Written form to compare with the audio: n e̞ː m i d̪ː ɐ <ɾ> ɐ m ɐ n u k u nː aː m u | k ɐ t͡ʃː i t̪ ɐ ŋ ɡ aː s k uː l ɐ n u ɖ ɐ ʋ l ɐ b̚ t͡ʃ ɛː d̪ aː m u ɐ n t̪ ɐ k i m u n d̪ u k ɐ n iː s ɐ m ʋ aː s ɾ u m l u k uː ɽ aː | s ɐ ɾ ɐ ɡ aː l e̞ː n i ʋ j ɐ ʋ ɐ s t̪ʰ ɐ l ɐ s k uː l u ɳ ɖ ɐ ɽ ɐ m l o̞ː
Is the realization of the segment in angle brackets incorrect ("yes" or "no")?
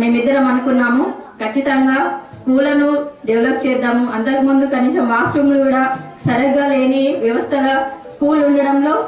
no